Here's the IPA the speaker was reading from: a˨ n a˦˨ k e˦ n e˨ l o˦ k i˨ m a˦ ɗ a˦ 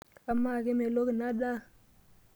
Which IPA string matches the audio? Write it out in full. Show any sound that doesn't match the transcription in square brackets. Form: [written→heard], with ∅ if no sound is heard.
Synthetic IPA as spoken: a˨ [n→m] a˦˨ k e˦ [n→m] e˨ l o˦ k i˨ [m→n] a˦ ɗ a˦